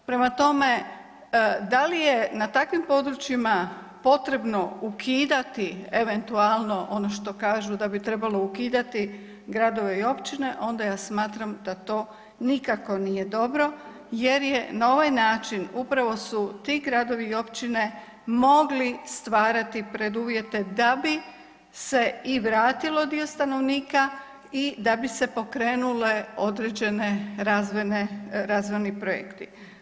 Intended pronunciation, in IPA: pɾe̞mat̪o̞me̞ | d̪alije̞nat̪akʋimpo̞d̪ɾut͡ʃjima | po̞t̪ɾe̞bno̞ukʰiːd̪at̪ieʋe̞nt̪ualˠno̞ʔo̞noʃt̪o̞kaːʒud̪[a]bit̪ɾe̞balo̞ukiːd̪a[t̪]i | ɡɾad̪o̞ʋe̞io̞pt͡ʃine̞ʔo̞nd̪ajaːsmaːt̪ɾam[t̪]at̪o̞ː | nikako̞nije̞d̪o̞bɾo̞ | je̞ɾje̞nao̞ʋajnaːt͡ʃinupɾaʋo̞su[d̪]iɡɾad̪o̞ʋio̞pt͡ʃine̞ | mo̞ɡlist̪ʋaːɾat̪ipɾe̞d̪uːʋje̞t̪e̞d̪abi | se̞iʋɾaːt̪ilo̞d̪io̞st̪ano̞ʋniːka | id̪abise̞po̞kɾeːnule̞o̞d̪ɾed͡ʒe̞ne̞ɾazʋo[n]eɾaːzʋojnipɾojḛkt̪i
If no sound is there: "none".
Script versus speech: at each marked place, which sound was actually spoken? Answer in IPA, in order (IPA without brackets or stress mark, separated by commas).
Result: a, t̪, d̪, t̪, n